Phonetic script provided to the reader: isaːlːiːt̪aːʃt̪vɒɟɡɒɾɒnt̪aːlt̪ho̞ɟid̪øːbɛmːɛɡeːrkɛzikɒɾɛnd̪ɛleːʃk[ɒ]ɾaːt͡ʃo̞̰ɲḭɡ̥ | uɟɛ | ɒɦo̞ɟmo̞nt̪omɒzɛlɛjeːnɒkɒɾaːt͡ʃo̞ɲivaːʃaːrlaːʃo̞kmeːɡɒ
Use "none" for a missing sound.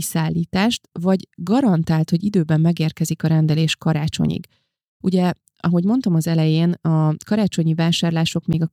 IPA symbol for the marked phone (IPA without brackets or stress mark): ɒ